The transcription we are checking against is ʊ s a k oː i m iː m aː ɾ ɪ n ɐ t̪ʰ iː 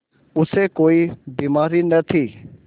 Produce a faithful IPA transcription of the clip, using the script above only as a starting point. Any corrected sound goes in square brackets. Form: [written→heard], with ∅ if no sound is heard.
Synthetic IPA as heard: ʊ s [a→e] k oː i [m→b] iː m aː ɾ [ɪ→i] n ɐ t̪ʰ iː

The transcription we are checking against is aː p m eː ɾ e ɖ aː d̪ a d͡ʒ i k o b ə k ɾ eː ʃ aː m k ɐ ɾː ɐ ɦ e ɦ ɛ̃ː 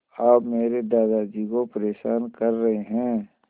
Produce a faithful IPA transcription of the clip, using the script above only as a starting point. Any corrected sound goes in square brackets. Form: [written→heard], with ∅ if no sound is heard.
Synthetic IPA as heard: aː p m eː ɾ e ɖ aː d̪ a d͡ʒ i k o [b→p] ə [k→∅] ɾ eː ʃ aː [m→n] k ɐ ɾː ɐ ɦ e ɦ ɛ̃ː

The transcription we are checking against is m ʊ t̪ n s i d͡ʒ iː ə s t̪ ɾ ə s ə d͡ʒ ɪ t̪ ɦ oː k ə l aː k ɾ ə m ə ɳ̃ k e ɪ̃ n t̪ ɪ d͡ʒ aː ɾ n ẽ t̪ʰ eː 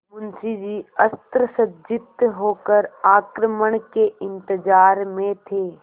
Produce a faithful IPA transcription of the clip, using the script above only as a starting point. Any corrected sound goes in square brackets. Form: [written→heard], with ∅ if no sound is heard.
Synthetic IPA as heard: m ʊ [t̪→∅] n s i d͡ʒ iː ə s t̪ ɾ ə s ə d͡ʒ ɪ t̪ ɦ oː k ə [l→ɾ] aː k ɾ ə m ə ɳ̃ k e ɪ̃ n t̪ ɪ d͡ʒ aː ɾ [n→m] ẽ t̪ʰ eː

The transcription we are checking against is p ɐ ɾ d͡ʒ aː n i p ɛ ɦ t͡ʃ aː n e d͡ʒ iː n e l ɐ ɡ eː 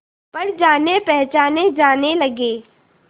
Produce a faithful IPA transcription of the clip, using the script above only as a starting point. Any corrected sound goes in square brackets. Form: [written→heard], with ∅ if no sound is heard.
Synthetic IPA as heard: p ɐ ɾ d͡ʒ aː n [i→e] p ɛ ɦ t͡ʃ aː n e d͡ʒ [iː→aː] n e l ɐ ɡ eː

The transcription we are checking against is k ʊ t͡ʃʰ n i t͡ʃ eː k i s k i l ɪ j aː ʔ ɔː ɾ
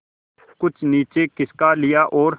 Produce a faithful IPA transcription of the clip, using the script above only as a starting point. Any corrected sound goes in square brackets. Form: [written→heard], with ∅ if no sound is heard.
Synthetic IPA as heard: k ʊ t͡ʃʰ n [i→iː] t͡ʃ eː k [i→ɪ] s k [i→a] l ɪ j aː ʔ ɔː ɾ

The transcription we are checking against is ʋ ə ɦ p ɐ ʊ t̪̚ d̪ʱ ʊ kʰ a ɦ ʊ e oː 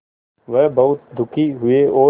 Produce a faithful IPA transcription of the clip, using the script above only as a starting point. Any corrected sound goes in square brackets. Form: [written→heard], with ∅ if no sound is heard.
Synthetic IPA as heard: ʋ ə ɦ [p→b] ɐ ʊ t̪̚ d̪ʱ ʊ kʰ [a→i] ɦ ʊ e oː

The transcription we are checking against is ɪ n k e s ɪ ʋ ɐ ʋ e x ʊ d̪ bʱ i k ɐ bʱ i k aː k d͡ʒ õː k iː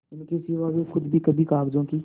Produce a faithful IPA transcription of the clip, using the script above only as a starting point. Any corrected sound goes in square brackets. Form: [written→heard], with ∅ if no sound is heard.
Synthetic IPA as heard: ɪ n k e s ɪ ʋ [ɐ→a] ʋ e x ʊ d̪ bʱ i k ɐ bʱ i k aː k d͡ʒ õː k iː

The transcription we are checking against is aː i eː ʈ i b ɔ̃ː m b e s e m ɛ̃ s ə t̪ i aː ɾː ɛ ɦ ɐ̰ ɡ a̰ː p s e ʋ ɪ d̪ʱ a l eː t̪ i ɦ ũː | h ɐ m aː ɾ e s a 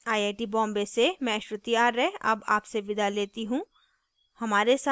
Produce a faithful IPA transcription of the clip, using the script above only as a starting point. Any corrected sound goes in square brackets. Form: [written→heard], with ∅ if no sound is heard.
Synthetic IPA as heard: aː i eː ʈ i b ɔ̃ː m b e s e m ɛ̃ [s→ʃ] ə t̪ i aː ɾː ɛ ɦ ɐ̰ [ɡ→b] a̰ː p s e ʋ ɪ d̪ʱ a l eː t̪ i ɦ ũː | h ɐ m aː ɾ e s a

